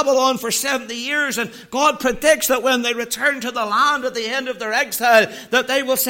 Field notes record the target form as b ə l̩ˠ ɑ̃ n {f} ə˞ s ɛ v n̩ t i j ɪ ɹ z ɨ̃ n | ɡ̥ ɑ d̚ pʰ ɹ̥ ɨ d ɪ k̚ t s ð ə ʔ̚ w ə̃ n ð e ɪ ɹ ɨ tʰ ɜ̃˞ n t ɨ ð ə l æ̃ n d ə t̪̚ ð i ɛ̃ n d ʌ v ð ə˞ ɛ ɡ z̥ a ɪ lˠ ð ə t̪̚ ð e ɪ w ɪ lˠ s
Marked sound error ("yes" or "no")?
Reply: no